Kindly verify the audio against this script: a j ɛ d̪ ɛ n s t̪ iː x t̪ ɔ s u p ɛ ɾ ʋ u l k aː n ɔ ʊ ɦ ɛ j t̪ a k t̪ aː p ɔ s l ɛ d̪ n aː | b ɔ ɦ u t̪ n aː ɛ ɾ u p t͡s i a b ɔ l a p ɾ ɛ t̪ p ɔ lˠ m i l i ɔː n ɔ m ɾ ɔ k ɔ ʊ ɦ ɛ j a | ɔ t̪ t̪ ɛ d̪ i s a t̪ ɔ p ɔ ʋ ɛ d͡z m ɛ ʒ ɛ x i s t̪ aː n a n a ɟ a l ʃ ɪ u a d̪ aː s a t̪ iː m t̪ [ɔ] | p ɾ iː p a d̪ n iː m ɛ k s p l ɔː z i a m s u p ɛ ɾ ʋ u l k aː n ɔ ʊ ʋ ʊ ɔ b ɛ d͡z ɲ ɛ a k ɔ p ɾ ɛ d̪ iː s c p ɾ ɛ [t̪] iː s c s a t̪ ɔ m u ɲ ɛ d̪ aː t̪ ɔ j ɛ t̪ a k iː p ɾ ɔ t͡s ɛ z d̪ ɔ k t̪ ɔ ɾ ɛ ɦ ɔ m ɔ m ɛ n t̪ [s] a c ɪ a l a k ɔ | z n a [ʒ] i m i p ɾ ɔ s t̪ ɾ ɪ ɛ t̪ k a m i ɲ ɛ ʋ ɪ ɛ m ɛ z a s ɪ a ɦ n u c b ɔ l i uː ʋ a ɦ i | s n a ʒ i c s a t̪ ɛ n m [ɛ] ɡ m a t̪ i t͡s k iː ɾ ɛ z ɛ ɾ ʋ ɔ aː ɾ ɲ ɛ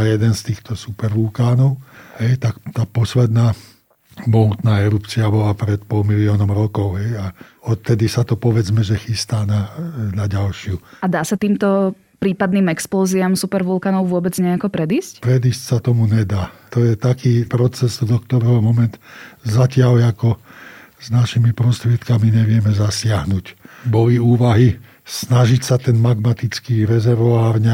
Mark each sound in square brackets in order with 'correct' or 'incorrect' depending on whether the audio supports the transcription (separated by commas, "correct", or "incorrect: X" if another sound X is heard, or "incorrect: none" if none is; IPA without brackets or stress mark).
correct, incorrect: d̪, incorrect: z, incorrect: ʃ, incorrect: a